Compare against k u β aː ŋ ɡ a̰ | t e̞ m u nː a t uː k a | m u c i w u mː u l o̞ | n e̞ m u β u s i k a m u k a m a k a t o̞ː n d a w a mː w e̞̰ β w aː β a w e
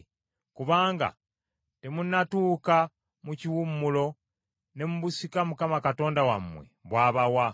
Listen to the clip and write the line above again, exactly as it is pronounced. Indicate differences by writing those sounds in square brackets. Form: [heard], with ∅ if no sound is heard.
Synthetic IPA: k u β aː ŋ ɡ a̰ | t e̞ m u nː a t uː k a | m u c i w u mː u l o̞ | n e̞ m u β u s i k a m u k a m a k a t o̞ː n d a w a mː w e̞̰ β w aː β a w [a]